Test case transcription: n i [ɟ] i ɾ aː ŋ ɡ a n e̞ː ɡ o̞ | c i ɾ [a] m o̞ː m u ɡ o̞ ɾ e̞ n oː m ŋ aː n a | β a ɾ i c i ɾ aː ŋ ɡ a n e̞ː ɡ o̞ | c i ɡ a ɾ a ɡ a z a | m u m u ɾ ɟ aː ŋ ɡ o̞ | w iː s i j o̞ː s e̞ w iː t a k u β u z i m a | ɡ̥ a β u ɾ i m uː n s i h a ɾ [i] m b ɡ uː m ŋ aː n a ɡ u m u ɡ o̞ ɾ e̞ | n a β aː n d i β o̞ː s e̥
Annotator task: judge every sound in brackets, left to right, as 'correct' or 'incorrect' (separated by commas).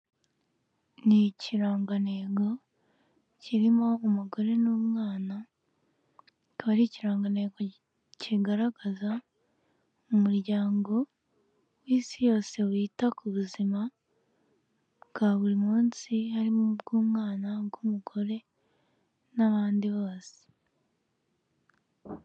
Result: incorrect, incorrect, correct